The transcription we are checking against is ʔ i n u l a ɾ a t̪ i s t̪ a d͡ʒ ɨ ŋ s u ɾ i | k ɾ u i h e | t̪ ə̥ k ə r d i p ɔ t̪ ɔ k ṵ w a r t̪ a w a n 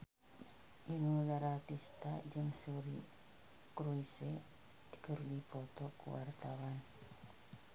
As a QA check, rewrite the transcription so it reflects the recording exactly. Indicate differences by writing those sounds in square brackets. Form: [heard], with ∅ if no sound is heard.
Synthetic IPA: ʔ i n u l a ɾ a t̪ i s t̪ a d͡ʒ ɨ ŋ s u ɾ i | k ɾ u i [s] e | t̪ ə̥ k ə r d i p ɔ t̪ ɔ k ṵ w a r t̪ a w a n